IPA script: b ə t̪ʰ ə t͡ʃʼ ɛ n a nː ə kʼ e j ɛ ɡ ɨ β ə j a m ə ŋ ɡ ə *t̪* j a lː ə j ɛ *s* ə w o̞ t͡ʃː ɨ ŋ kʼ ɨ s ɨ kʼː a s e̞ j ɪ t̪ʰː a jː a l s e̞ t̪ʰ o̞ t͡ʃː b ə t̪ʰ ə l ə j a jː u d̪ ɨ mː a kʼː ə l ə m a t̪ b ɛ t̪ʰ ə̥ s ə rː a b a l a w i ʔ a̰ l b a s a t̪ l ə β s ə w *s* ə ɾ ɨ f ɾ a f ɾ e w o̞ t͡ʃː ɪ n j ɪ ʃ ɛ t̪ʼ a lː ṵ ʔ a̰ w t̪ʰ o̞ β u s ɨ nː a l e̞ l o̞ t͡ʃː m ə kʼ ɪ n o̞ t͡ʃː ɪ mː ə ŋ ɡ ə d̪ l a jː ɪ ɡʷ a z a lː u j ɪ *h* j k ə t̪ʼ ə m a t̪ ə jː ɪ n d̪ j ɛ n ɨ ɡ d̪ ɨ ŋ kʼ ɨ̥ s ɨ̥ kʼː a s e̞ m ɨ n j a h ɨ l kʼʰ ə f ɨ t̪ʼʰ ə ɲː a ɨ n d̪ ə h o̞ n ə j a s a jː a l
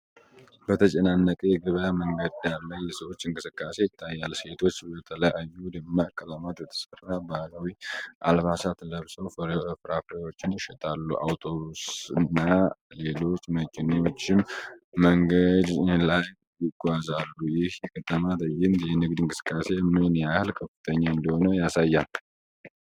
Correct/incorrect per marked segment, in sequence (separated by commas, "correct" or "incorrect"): incorrect, correct, incorrect, correct